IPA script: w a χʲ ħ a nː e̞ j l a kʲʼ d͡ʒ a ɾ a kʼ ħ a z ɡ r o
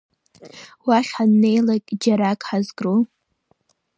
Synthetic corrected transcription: w a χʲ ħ a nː e̞ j l a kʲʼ d͡ʒ a ɾ a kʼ ħ a z ɡ r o

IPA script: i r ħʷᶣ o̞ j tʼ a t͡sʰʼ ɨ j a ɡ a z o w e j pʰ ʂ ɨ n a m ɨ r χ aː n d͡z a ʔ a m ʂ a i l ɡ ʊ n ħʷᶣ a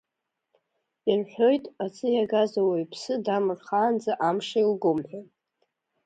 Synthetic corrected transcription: i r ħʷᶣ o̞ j tʼ a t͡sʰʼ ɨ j a ɡ a z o w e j pʰ s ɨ d a m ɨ r χ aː n d͡z a ʔ a m ʂ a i l ɡ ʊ m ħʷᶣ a

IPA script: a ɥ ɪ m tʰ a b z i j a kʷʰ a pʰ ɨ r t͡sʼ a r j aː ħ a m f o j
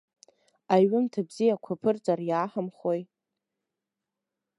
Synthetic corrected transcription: a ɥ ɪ m tʰ a b z i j a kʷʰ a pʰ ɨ r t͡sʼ a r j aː ħ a m χ o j

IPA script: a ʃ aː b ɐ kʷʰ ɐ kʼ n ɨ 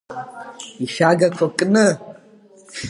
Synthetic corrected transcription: i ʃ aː ɡ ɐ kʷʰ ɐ kʼ n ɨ

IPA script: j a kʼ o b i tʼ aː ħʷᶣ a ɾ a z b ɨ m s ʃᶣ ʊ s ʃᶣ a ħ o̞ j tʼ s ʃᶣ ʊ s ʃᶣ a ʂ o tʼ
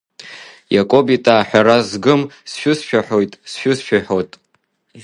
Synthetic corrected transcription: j a kʼ o b i tʼ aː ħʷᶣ a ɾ a z ɡ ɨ m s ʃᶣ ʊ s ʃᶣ a ħ o̞ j tʼ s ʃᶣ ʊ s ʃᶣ a ħ o tʼ

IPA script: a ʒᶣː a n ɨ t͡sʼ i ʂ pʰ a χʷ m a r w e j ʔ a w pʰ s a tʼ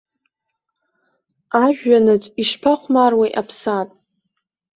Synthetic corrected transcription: a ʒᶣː a n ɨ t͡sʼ i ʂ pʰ a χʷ m a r w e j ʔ a pʰ s a tʼ

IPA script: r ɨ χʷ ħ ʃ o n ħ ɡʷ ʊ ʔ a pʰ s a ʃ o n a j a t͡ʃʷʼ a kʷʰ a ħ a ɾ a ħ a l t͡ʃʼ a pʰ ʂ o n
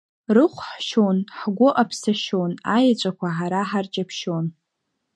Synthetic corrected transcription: r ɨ χʷ ħ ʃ o n ħ ɡʷ ʊ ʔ a pʰ s a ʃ o n a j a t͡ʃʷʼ a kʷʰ a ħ a ɾ a ħ a r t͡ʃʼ a pʰ ʃ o n

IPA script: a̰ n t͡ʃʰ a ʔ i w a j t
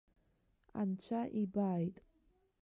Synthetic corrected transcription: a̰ n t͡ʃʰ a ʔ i b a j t

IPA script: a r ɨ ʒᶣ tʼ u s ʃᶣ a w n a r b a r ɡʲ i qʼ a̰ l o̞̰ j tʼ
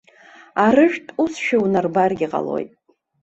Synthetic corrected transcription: a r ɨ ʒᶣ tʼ u s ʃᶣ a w n a r b a r ɡʲ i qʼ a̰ l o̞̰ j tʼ

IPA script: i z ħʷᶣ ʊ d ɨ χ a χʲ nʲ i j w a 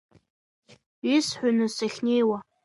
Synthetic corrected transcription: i s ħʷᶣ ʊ n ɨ s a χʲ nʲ e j w a

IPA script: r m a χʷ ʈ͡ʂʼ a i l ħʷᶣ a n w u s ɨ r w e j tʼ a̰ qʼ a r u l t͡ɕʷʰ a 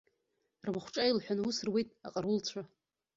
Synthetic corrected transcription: r m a χʷ ʈ͡ʂʼ a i l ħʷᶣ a n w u s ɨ r w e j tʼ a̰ qʼ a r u l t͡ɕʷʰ a

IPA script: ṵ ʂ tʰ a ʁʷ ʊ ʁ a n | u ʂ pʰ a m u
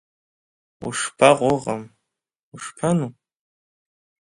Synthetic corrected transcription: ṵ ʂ pʰ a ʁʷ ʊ ʁ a m | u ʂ pʰ a n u

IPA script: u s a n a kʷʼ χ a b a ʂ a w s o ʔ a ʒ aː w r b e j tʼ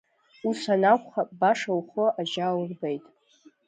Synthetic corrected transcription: u s a n a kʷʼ χ a b a ʂ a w χ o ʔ a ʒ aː w r b e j tʼ

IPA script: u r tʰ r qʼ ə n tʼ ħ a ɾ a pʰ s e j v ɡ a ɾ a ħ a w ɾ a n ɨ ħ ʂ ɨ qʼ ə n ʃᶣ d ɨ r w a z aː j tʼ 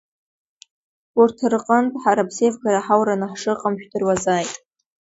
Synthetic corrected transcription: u r tʰ r qʼ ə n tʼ ħ a ɾ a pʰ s e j v ɡ a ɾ a ħ a w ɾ a n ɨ ħ ʂ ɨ qʼ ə m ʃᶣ d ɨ r w a z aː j tʼ

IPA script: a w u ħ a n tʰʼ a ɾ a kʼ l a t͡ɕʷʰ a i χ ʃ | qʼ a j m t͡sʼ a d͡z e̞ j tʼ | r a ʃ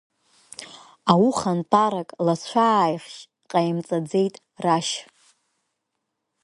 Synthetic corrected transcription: a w u χ a n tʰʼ a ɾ a kʼ l a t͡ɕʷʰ a j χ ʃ | qʼ a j m t͡sʼ a d͡z e̞ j tʼ | r a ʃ

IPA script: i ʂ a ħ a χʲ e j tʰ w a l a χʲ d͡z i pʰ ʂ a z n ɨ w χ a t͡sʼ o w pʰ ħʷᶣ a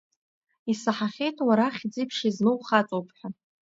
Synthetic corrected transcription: i s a ħ a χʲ e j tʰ w a ɾ a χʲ d͡z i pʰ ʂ i z n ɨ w χ a t͡sʼ o w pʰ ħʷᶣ a

